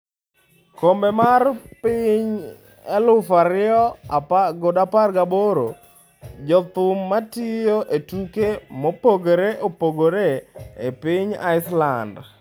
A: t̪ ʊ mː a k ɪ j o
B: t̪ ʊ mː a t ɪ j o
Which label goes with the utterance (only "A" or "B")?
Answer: B